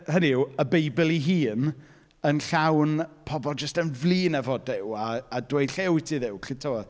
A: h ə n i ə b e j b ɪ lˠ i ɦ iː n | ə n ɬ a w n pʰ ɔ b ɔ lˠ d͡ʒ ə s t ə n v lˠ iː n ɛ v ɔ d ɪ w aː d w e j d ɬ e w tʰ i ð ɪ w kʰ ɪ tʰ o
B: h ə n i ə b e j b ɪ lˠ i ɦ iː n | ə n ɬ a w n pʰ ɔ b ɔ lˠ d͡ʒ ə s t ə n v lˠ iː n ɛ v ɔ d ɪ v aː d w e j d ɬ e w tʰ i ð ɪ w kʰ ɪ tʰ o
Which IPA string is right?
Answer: A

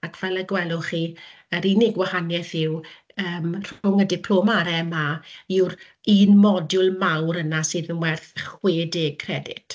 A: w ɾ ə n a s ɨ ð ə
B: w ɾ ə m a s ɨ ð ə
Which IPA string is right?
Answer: A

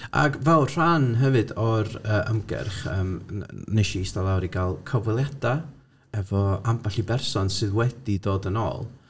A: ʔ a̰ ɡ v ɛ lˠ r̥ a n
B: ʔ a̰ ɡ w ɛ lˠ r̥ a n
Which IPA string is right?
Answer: A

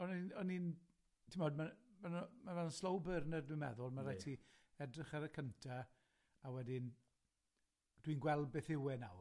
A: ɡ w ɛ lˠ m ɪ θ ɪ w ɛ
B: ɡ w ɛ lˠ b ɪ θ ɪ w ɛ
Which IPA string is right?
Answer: B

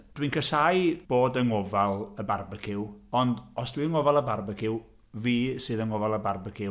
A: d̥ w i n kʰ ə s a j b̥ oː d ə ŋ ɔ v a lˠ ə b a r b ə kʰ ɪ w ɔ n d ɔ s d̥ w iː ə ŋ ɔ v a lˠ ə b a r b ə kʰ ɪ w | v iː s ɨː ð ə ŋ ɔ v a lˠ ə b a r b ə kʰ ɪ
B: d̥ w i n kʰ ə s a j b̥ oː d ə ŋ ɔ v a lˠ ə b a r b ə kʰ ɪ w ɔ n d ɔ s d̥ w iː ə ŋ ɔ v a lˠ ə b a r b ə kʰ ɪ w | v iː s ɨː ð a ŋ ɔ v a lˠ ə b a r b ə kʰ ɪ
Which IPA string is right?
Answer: A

